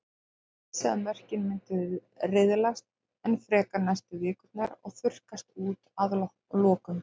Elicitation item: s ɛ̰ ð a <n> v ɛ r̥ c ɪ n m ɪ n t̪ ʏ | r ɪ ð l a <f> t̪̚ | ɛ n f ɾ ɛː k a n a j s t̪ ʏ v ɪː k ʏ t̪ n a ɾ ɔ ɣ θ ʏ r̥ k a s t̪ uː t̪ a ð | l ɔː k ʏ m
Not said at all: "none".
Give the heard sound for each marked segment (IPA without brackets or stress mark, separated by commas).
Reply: n, s